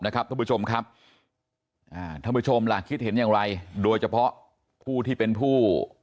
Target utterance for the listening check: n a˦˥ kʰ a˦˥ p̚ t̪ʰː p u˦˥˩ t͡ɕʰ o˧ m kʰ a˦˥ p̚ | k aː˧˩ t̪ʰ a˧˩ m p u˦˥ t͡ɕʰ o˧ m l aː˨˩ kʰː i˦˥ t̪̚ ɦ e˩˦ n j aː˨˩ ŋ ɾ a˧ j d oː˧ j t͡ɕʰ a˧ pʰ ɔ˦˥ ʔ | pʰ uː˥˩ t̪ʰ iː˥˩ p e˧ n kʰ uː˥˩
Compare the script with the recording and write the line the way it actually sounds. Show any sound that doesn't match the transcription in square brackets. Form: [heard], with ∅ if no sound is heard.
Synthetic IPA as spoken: n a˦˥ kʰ a˦˥ p̚ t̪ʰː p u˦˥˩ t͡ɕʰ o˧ m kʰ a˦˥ p̚ | [ʔ] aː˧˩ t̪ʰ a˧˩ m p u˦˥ t͡ɕʰ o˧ m l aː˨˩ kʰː i˦˥ t̪̚ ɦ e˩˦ n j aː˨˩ ŋ ɾ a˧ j d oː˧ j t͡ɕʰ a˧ pʰ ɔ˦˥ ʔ | pʰ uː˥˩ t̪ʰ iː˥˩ p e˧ n [pʰ] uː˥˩